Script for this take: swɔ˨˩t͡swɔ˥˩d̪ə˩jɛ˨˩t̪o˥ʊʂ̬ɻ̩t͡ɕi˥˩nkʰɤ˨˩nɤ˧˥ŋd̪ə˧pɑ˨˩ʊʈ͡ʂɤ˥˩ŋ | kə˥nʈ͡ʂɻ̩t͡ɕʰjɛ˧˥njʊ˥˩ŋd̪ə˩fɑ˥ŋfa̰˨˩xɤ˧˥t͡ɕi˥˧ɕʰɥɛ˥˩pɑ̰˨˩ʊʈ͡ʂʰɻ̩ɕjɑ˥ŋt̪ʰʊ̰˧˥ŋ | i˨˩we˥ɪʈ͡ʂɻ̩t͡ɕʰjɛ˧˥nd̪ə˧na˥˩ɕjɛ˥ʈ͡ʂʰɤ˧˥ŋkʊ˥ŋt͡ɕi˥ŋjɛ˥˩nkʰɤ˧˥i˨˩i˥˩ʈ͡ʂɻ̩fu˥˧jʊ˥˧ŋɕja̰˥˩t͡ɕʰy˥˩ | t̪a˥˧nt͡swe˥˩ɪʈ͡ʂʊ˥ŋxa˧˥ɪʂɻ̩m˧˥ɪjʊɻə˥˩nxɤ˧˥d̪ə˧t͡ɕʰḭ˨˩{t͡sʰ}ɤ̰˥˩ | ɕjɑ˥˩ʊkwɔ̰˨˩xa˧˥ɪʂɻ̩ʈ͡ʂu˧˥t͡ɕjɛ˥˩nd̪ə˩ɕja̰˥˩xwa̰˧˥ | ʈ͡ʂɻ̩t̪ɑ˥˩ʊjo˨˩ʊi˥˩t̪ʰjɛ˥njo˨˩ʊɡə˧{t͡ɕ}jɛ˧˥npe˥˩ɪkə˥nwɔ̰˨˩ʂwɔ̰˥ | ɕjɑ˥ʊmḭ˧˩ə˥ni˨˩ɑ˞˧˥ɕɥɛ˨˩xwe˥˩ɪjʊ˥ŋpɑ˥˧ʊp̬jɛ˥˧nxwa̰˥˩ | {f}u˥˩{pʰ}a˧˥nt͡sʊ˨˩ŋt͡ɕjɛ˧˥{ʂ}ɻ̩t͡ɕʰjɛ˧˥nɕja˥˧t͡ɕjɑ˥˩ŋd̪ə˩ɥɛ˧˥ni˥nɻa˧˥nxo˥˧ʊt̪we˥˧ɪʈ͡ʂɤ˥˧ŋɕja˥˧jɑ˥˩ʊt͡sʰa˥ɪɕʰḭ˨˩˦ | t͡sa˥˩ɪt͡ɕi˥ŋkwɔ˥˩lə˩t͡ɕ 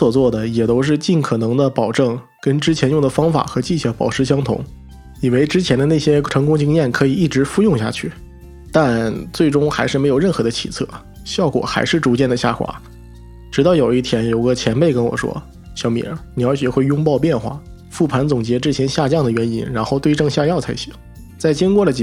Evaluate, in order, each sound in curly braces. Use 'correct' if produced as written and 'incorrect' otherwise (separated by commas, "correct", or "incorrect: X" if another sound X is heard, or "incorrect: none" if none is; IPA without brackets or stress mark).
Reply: correct, incorrect: t͡ɕʰ, correct, correct, incorrect: ʈ͡ʂ